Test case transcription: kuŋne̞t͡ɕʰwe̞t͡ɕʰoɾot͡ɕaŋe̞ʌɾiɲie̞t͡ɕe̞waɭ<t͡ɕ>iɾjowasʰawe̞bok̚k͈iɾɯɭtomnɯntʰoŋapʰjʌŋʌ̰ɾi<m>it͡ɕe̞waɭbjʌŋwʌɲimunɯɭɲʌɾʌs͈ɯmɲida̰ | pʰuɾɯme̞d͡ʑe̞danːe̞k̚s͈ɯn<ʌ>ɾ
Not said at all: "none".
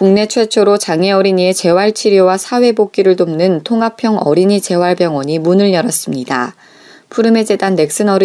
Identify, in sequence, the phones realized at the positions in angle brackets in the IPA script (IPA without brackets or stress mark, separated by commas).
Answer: t͡ɕʰ, ɲ, ʌ